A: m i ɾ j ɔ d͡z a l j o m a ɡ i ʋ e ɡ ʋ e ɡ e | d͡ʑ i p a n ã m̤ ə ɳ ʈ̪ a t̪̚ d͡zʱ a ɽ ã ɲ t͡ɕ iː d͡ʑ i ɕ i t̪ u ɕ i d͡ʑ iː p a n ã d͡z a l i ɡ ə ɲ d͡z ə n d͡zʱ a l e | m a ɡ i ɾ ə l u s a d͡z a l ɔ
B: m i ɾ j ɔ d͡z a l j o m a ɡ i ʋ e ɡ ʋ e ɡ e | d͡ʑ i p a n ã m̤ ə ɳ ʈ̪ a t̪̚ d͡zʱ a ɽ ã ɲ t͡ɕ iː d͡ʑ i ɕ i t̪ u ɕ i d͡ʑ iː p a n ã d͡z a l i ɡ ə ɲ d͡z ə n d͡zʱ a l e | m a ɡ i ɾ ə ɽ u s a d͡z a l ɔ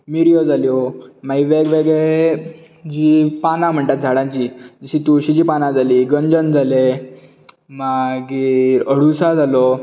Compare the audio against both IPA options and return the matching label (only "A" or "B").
B